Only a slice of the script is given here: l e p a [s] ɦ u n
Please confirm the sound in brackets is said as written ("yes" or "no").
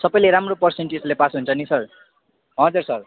yes